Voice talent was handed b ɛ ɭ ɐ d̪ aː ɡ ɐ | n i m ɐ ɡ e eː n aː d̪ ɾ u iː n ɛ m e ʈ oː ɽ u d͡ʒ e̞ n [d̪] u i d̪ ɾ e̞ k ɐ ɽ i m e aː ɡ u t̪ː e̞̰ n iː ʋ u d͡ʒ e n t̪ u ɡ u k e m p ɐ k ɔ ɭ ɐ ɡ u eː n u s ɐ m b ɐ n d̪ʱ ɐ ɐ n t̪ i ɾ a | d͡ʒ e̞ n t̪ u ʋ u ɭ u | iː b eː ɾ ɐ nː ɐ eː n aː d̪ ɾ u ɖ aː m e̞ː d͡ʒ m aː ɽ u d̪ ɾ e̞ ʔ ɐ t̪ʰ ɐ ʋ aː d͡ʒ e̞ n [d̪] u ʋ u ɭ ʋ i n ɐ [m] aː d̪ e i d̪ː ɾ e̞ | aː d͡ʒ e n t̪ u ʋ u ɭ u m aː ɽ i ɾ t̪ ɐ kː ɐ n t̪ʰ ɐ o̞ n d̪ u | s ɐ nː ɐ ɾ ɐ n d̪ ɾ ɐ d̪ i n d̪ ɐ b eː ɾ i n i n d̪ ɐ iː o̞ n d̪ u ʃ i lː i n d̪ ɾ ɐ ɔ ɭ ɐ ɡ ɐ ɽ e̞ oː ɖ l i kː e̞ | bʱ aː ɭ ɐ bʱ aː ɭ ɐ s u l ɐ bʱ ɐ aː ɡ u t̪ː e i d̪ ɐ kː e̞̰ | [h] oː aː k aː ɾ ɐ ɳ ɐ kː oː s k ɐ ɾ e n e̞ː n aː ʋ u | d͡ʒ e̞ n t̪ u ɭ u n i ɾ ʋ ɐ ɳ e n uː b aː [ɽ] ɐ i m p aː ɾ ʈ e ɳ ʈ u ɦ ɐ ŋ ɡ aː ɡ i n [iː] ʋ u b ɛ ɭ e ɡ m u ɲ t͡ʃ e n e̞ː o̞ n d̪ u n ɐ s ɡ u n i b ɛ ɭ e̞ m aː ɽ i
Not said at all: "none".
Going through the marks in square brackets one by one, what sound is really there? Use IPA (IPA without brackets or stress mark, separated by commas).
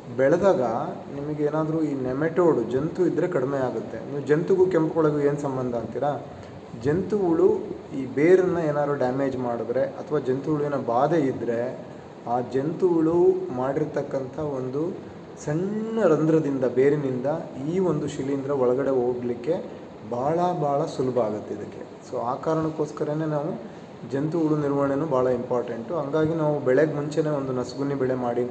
t̪, t̪, b, s, ɭ, aː